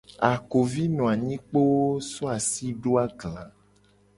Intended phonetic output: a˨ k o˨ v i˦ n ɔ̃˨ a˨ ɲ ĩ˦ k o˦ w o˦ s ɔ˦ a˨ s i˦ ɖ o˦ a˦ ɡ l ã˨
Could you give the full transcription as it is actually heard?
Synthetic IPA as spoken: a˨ k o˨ v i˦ n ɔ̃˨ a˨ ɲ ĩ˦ k͡p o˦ w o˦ s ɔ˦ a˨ s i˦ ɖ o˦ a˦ ɡ l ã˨